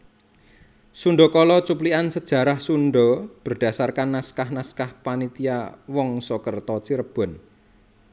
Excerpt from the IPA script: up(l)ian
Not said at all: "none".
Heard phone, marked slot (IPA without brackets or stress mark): l